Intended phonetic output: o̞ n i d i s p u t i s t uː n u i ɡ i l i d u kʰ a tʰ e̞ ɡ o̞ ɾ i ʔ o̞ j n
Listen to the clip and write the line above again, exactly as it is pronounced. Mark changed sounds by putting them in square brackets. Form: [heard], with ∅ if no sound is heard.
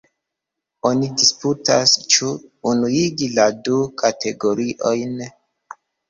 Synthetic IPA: o̞ n i d i s p u t [a] s [t͡ʃ] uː n u i ɡ i l [a] d u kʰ a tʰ e̞ ɡ o̞ ɾ i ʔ o̞ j n